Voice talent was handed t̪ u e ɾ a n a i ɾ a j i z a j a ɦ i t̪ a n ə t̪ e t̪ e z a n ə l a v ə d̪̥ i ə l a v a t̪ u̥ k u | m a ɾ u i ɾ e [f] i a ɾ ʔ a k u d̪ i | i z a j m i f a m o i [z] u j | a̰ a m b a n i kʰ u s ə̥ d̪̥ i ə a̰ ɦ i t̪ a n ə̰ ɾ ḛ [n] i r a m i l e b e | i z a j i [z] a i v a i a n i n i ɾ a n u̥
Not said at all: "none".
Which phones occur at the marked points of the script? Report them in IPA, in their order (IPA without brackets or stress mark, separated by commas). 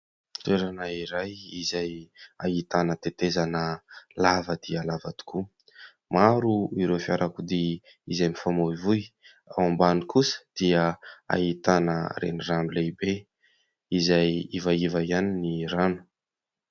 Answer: f, v, n, v